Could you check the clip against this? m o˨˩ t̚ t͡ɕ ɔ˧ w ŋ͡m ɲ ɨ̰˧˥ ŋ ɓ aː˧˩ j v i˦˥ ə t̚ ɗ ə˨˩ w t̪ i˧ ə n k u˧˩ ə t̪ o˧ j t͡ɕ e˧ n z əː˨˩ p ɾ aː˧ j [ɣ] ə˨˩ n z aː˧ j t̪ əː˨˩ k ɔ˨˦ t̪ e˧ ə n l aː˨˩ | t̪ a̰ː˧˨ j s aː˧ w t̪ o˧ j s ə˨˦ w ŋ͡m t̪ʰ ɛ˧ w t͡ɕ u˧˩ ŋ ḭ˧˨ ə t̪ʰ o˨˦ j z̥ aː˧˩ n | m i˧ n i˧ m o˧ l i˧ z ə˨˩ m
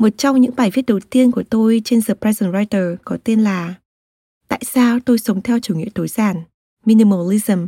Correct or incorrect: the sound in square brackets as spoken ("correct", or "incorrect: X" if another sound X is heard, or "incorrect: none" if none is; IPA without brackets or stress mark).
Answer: incorrect: z